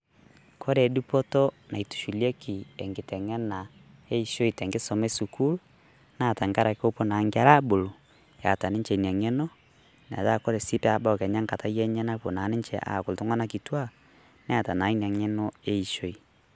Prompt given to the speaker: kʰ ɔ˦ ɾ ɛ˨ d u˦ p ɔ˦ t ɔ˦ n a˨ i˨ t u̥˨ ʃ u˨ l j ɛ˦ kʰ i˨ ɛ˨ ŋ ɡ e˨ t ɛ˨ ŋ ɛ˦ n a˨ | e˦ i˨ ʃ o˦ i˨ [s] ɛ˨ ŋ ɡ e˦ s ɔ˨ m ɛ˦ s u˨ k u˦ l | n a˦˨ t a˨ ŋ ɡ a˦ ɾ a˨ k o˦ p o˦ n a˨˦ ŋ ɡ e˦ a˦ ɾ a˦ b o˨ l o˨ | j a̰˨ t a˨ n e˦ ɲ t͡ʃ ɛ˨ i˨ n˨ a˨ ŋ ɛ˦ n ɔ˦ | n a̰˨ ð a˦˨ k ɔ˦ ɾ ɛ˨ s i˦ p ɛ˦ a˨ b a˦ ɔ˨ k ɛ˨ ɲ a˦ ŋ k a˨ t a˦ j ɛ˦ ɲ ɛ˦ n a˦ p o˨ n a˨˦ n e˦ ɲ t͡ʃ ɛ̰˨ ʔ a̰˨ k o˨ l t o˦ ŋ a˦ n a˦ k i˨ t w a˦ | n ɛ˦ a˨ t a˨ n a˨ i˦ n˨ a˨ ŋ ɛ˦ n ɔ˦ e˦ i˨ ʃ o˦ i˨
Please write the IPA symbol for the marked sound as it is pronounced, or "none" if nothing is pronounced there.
t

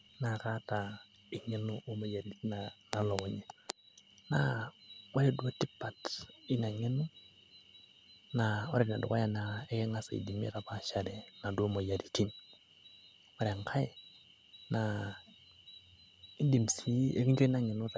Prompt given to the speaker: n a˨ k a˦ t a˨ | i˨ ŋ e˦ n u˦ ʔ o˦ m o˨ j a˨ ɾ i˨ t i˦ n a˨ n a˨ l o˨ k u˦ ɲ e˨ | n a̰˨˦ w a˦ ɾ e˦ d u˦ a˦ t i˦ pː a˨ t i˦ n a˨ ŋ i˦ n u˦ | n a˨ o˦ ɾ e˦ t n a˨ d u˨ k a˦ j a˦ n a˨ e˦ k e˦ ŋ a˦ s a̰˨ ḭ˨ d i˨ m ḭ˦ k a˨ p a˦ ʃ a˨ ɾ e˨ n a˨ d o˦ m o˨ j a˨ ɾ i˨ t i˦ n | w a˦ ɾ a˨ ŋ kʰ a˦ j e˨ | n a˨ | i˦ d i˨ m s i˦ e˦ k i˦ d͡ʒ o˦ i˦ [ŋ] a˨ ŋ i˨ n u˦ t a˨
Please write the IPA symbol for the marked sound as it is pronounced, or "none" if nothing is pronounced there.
n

